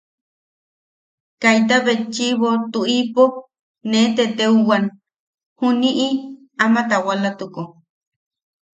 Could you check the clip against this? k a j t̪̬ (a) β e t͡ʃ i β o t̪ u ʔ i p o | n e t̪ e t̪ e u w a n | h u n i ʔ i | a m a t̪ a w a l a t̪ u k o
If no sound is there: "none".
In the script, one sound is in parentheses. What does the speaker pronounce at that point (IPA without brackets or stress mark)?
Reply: a